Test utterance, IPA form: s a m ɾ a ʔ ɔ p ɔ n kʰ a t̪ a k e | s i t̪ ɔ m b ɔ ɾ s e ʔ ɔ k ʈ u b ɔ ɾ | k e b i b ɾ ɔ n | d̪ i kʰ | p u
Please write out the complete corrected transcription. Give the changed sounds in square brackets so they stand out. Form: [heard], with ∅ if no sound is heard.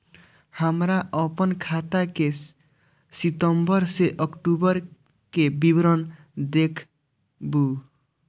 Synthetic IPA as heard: [h] a m ɾ a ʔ ɔ p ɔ n kʰ a t̪ a k e | s i t̪ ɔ m b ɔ ɾ s e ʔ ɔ k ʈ u b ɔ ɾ | k e b i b ɾ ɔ n | d̪ [e] kʰ | [b] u